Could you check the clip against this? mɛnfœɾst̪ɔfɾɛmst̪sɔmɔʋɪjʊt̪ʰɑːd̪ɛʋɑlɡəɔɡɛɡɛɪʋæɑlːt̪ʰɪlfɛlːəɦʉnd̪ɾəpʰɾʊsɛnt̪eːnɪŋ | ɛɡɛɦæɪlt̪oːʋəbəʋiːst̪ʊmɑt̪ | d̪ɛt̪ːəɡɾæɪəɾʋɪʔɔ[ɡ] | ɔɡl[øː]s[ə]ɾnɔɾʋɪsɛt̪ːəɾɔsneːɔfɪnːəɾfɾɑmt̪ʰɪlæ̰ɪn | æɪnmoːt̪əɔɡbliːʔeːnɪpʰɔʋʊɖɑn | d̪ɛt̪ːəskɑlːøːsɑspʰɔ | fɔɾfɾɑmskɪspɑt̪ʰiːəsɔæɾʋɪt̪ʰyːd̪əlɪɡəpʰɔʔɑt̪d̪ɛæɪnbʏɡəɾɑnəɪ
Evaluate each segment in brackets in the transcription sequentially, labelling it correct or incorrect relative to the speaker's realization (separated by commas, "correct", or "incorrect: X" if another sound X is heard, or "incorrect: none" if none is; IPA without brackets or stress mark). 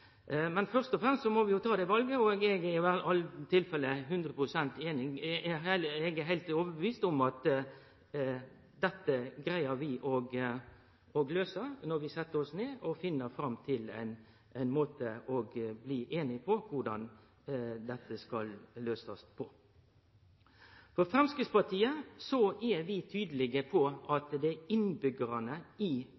correct, correct, correct